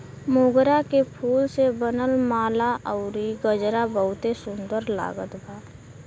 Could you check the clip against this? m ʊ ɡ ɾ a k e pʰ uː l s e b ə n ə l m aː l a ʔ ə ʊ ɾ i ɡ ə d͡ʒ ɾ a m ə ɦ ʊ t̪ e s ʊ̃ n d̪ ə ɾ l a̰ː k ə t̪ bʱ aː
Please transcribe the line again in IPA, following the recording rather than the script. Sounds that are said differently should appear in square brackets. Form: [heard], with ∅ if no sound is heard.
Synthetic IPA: m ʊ ɡ ɾ a k e pʰ uː l s e b ə n ə l m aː l a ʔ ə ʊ ɾ i ɡ ə d͡ʒ ɾ a [b] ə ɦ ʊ t̪ e s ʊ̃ n d̪ ə ɾ l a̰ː [ɡ] ə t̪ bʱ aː